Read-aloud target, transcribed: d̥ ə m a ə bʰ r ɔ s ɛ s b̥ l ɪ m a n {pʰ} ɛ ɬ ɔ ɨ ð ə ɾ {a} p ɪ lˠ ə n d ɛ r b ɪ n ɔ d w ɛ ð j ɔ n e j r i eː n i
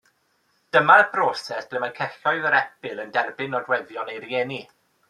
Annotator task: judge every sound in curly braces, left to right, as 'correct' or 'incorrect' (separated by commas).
incorrect, incorrect